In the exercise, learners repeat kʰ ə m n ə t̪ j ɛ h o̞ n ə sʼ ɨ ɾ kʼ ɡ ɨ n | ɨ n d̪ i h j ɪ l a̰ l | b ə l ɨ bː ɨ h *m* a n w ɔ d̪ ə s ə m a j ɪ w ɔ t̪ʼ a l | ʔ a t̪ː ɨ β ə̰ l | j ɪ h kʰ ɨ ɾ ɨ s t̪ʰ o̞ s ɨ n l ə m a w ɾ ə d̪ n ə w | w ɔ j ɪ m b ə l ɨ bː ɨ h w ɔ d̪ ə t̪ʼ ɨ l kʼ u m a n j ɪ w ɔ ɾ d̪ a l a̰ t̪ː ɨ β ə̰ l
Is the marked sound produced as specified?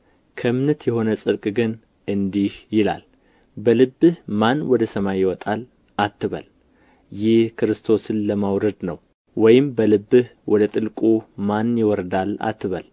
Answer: yes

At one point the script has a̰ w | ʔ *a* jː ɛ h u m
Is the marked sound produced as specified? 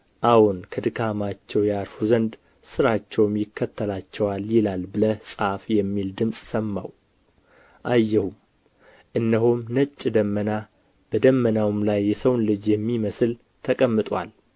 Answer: yes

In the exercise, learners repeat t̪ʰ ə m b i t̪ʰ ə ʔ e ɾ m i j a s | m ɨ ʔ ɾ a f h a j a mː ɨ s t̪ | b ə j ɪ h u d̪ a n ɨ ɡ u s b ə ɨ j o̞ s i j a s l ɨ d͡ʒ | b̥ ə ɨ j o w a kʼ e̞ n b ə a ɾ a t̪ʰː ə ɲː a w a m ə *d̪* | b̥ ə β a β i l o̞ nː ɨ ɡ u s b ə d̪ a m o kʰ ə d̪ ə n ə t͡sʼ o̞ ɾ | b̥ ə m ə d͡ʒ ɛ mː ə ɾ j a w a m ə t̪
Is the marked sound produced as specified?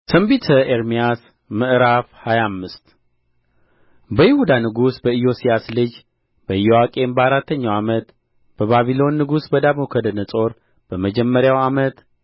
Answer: no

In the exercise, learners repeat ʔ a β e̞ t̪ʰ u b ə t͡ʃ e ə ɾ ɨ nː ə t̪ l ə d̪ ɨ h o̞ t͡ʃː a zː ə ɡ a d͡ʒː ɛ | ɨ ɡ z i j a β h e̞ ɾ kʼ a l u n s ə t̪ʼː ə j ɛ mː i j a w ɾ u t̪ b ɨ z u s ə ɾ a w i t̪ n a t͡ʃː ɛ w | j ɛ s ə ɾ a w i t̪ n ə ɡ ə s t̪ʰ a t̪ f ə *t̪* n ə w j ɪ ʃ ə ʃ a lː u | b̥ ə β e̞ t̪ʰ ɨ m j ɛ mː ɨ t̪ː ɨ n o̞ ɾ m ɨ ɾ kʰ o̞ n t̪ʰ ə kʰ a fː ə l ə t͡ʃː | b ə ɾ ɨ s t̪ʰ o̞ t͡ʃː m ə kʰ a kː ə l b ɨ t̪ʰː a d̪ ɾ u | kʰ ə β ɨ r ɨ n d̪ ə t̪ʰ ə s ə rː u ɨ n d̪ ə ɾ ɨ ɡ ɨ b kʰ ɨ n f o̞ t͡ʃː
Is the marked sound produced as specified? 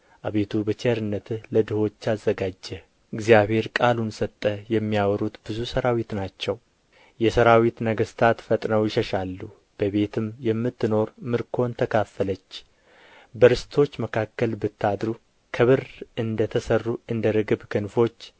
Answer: no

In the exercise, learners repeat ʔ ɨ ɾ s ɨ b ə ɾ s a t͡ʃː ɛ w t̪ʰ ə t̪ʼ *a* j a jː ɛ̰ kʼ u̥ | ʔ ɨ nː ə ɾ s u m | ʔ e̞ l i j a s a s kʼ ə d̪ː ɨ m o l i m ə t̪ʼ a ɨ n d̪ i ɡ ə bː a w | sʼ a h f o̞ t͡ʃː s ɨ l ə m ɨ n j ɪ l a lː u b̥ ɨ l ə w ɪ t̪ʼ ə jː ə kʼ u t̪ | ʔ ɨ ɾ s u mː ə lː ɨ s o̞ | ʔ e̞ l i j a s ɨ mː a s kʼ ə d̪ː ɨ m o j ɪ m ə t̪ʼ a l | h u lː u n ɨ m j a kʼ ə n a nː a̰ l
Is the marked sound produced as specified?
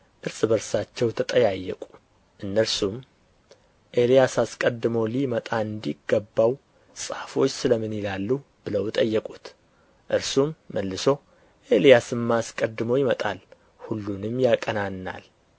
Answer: no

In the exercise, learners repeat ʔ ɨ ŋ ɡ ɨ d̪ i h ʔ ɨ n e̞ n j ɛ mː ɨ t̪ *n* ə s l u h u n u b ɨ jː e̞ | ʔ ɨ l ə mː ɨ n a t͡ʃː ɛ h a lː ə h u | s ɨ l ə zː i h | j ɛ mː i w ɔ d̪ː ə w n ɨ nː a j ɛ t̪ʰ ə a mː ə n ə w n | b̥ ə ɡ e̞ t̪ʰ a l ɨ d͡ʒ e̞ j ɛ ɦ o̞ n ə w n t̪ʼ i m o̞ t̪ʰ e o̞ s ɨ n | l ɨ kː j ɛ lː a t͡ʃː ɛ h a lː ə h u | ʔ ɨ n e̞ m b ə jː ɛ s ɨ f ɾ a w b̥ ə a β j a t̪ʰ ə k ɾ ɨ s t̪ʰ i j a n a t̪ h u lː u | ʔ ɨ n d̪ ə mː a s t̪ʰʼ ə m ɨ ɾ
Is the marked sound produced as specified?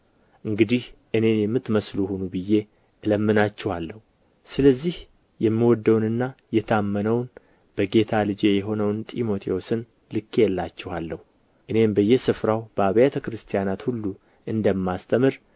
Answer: no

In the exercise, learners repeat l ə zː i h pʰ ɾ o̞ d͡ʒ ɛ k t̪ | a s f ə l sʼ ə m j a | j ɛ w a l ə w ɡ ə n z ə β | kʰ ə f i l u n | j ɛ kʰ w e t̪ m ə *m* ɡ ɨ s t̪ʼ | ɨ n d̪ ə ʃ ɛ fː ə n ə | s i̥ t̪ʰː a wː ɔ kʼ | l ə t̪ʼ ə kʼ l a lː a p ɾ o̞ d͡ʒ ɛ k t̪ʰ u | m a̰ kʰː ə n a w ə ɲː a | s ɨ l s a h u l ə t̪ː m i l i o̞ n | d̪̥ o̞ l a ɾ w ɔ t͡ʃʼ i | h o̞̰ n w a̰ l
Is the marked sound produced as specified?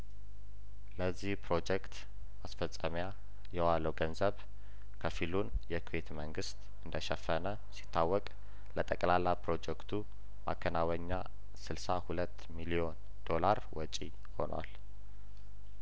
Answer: no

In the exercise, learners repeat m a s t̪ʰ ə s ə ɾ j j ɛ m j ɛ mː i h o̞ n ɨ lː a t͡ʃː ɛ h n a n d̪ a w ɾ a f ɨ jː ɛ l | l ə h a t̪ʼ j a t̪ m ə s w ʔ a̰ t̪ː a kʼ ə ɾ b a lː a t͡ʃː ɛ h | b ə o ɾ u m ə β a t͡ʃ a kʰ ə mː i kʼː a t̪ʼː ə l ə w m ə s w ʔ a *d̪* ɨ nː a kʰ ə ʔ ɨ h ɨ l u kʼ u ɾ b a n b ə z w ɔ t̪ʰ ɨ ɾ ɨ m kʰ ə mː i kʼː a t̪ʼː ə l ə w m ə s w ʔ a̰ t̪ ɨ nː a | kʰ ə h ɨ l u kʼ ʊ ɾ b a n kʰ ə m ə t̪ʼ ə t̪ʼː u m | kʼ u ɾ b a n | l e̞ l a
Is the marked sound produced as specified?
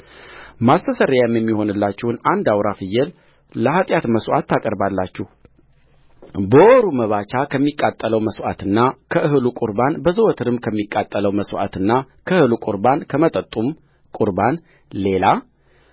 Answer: no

